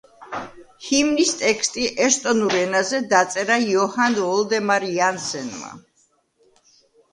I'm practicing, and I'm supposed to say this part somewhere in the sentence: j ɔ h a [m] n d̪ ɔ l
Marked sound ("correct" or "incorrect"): incorrect